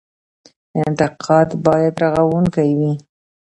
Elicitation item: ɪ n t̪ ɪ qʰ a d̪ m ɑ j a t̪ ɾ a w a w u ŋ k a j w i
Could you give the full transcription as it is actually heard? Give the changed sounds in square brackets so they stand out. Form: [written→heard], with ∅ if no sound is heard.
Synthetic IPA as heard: ɪ n t̪ ɪ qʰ [a→ɑ] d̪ [m→b] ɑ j a [t̪→d̪] ɾ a [w→ɣ] a w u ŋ k a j w i